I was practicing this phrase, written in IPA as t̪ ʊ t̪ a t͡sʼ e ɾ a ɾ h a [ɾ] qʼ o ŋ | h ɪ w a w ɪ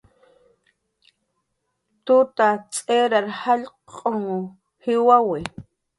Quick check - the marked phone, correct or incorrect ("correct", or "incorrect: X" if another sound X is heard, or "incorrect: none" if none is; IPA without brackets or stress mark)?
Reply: incorrect: ʎ